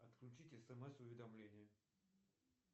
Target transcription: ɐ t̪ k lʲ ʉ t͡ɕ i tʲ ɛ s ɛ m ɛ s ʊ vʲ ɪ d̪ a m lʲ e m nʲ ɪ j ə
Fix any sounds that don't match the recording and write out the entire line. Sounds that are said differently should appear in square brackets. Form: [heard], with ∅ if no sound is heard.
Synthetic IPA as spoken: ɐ t̪ k lʲ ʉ t͡ɕ i tʲ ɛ s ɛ m ɛ s ʊ vʲ ɪ d̪ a m lʲ e [∅] nʲ ɪ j ə